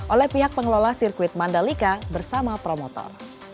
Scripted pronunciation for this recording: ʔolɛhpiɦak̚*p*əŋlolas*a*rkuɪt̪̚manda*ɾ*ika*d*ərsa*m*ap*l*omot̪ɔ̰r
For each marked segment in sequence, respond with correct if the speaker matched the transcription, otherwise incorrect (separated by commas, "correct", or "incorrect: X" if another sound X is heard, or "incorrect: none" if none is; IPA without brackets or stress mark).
correct, incorrect: i, incorrect: l, incorrect: b, correct, incorrect: ɾ